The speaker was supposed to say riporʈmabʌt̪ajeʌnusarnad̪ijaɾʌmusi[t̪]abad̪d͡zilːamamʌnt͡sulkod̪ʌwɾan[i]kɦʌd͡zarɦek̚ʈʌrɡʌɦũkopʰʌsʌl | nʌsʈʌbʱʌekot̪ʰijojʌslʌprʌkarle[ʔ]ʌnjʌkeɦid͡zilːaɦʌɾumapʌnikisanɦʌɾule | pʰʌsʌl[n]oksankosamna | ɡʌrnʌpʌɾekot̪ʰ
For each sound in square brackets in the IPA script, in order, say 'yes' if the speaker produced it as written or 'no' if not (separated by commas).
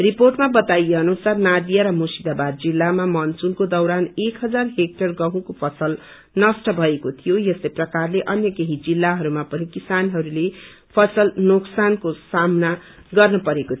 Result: no, no, yes, yes